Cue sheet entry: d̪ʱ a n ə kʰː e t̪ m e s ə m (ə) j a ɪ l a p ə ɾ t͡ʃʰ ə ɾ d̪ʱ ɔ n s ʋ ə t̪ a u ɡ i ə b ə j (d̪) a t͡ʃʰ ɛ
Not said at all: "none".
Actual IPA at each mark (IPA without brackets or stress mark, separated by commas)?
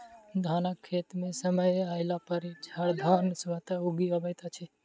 ə, t̪